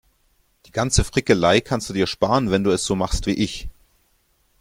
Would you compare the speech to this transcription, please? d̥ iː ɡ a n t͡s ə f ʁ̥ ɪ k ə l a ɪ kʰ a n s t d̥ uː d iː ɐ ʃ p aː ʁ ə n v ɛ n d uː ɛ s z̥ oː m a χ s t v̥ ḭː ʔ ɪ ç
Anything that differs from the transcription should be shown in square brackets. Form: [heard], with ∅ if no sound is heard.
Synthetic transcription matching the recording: d̥ iː ɡ a n t͡s ə f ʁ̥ ɪ k ə l a ɪ kʰ a n s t d̥ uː d iː ɐ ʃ p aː ʁ ə n v ɛ n d uː ɛ s z̥ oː m a χ s t v̥ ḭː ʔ ɪ ç